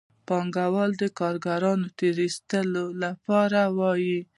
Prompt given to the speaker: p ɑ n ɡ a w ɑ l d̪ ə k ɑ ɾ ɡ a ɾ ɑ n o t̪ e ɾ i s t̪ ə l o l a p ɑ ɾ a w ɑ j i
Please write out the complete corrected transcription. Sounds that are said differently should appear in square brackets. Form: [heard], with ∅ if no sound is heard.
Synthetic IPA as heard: p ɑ [ŋ] ɡ a w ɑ l d̪ ə k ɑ ɾ ɡ a ɾ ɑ n o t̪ e ɾ i s t̪ ə l o l a p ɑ ɾ a w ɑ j i